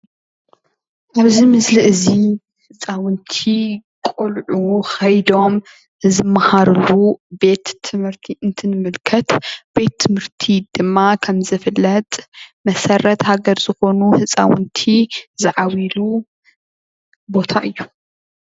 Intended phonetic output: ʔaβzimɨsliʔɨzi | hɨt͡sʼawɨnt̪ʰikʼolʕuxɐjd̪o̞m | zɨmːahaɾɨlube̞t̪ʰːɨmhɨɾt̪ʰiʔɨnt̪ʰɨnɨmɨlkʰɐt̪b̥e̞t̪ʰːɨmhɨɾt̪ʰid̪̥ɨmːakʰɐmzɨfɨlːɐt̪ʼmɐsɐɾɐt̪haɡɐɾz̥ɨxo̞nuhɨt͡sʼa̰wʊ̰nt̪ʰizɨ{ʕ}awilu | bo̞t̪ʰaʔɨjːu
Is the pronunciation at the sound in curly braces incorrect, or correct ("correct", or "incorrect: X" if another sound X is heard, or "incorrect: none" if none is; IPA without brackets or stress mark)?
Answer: correct